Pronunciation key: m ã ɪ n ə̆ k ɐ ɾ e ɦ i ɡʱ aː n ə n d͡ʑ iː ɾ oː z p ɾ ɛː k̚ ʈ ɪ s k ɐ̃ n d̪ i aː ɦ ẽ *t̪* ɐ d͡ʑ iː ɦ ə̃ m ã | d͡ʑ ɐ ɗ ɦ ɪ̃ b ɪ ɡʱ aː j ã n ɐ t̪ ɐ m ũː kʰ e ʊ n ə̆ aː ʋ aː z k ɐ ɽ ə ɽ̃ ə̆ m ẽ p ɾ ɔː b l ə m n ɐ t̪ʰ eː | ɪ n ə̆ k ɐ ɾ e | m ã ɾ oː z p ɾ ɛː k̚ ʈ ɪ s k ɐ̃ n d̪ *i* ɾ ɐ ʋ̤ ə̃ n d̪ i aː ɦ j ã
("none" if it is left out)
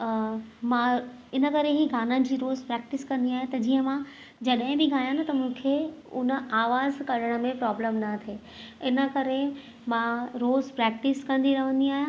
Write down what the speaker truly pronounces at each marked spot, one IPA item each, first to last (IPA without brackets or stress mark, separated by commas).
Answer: t̪, i